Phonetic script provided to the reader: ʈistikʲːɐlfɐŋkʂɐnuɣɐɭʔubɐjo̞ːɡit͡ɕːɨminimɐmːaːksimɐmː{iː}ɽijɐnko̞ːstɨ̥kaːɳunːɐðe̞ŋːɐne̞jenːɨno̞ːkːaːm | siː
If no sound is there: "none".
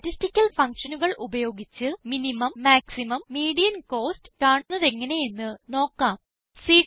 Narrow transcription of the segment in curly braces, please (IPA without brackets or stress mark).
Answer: iː